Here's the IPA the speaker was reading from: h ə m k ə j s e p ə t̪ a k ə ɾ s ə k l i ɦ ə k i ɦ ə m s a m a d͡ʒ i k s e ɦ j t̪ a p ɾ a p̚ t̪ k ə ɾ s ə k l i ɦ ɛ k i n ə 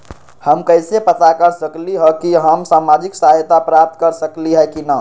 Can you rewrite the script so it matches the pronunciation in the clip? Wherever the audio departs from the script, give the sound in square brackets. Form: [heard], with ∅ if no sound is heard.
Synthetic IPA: h ə m k ə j s e p ə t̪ a k ə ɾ s ə k l i ɦ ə k i ɦ ə m s a m a d͡ʒ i k s [a] ɦ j t̪ a p ɾ a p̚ t̪ k ə ɾ s ə k l i ɦ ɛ k i n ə